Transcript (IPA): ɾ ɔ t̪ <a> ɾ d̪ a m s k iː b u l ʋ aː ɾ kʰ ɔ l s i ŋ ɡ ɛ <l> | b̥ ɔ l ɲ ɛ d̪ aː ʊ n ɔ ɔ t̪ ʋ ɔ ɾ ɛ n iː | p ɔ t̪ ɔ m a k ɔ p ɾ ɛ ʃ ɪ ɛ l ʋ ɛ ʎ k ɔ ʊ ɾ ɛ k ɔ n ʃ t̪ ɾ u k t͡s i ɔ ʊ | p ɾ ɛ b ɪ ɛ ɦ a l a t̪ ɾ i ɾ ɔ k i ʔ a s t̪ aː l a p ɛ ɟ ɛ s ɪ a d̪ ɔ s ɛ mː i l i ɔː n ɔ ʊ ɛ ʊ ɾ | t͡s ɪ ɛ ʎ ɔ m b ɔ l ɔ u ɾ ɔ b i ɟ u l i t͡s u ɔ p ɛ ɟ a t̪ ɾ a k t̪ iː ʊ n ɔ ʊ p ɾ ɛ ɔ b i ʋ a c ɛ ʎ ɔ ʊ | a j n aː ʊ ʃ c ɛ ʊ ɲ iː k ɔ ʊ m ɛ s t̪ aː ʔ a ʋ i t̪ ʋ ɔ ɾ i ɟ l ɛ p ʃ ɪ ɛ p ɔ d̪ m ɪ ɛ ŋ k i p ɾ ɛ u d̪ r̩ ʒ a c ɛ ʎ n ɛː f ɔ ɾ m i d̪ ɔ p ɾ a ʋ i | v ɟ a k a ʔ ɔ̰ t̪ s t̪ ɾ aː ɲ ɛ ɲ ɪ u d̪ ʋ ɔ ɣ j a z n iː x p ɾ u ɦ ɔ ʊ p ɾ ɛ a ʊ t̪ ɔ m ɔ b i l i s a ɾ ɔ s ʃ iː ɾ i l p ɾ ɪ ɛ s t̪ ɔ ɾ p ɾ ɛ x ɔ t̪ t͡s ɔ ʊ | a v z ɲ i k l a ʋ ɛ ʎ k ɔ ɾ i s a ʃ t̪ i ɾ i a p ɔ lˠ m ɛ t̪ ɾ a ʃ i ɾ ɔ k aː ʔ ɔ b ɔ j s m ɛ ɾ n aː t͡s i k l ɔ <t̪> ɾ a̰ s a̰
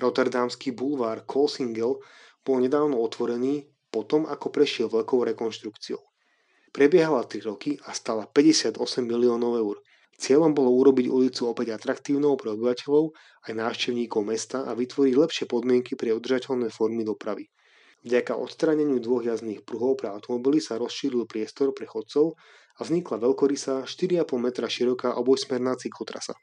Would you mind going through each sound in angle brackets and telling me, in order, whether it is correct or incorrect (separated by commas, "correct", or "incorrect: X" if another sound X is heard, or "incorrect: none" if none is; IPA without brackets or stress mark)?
incorrect: ɛ, correct, correct